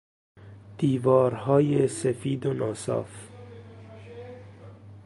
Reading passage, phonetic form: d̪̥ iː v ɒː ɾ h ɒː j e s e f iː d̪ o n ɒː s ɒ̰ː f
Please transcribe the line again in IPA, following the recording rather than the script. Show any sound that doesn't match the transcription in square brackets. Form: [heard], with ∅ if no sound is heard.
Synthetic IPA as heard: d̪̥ iː v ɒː ɾ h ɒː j e s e f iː d̪ o n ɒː s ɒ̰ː f